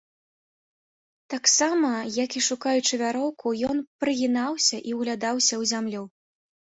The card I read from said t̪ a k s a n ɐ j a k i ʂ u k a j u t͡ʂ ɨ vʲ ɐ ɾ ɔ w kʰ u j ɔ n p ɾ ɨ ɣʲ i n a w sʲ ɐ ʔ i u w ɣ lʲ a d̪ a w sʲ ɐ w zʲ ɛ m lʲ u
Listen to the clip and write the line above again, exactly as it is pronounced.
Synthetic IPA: t̪ a k s a m ɐ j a k i ʂ u k a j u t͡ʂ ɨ vʲ a ɾ ɔ w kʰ u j ɔ n p ɾ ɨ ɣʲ i n a w sʲ ɐ ʔ i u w ɣ lʲ a d̪ a w sʲ ɐ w zʲ a m lʲ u